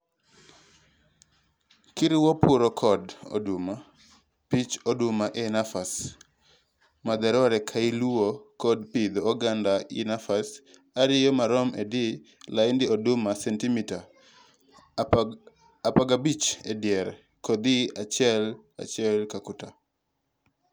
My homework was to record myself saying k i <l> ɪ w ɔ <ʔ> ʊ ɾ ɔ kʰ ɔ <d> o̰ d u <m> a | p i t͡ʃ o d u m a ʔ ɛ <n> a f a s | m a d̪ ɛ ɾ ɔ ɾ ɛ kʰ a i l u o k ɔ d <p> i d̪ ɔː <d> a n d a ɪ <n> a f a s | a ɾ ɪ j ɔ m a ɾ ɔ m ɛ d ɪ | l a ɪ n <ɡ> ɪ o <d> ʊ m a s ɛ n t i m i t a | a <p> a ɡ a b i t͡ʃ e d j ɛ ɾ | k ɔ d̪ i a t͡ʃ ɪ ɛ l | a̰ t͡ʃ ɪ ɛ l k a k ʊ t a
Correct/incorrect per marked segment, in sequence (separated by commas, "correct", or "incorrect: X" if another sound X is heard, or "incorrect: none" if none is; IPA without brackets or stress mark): incorrect: ɾ, incorrect: p, correct, correct, correct, correct, incorrect: ɡ, correct, incorrect: d, correct, correct